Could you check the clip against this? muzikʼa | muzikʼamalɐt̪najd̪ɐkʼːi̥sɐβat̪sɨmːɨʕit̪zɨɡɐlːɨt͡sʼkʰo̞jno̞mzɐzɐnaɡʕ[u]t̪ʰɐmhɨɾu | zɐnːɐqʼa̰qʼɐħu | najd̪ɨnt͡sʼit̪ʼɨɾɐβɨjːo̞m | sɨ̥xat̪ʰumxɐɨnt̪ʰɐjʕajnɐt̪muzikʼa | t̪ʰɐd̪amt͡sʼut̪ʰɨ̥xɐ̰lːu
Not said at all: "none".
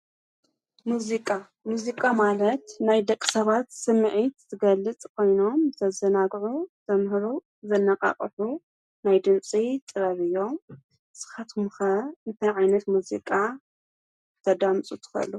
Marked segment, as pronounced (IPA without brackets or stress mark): u